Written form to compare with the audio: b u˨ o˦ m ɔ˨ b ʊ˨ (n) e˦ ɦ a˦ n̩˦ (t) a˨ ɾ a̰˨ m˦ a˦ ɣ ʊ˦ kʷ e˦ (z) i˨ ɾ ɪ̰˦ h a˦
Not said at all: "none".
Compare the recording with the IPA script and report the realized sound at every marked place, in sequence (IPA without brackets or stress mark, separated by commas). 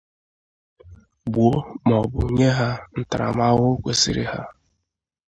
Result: ɲ, t, s